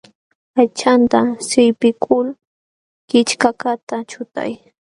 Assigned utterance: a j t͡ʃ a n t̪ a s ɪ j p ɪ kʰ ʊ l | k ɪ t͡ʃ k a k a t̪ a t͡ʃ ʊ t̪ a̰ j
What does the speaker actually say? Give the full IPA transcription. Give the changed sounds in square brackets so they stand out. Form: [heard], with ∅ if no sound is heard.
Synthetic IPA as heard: a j t͡ʃ a n t̪ a s ɪ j p ɪ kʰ ʊ l | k ɪ t͡ʃ k a k a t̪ a t͡ʃ ʊ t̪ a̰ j